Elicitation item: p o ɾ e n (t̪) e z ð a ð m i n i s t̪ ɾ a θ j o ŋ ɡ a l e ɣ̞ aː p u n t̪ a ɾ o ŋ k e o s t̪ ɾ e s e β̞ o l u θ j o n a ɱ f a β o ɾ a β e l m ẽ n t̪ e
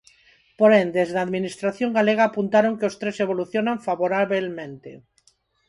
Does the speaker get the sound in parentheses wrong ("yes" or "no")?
yes